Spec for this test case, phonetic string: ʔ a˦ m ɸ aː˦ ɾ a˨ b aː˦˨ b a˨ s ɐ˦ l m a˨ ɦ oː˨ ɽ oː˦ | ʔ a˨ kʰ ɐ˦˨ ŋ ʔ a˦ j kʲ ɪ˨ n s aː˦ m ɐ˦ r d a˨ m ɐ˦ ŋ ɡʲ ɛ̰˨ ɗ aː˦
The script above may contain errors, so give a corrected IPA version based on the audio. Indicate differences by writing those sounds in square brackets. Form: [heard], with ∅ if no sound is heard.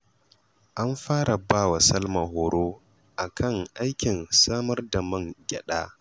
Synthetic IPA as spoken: ʔ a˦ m ɸ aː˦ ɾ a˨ b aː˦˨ [w] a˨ s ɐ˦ l m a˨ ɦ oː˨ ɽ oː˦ | ʔ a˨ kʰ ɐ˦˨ ŋ ʔ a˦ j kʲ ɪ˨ n s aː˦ m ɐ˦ r d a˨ m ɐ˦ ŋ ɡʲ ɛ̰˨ ɗ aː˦